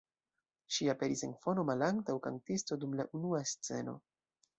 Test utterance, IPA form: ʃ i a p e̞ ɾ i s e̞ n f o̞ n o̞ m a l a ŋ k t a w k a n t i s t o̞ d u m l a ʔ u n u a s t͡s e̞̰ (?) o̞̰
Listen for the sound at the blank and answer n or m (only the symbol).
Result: n